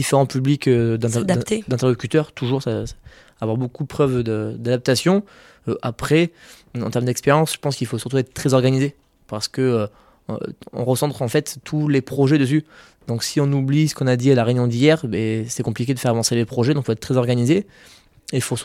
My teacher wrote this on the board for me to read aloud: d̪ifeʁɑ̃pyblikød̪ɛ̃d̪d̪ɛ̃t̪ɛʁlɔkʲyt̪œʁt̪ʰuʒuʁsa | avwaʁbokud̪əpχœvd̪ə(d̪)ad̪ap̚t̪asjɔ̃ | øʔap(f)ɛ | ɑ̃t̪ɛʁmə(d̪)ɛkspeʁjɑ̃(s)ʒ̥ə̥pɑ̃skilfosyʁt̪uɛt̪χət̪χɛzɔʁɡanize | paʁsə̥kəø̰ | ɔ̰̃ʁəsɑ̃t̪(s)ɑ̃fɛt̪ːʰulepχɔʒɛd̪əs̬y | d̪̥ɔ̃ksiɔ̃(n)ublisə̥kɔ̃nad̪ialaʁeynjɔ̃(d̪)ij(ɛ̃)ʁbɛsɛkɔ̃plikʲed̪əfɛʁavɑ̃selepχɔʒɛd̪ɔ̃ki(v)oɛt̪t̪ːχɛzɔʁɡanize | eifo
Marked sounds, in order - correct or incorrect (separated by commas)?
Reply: correct, incorrect, correct, correct, incorrect, correct, correct, incorrect, incorrect